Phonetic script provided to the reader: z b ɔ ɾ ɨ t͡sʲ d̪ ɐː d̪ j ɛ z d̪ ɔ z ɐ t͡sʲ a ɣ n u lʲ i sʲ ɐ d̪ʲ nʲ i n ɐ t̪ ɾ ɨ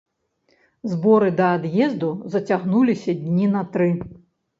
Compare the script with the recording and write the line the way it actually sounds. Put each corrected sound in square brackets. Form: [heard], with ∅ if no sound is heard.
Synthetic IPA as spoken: z b ɔ ɾ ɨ [∅] d̪ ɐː d̪ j ɛ z d̪ [u] z ɐ t͡sʲ a ɣ n u lʲ i sʲ ɐ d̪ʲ nʲ i n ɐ t̪ ɾ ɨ